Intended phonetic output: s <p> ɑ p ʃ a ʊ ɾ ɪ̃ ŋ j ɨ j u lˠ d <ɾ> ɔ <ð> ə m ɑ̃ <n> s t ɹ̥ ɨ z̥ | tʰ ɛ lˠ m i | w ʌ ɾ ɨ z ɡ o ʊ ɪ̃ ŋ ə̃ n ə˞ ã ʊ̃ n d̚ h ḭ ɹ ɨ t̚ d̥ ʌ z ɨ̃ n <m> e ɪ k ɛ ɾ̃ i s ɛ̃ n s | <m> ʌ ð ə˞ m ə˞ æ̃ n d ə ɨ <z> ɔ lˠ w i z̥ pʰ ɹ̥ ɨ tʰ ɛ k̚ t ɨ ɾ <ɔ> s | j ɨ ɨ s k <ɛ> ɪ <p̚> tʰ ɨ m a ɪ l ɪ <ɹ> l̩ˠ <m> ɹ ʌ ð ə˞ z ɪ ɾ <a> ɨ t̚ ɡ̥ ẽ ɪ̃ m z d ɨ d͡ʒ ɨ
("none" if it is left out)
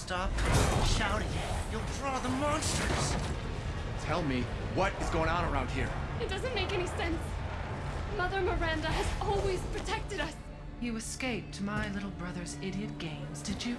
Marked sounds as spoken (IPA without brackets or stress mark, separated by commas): t, ɹ, ð, n, m, m, z, ʌ, e, p̚, ɾ, b, i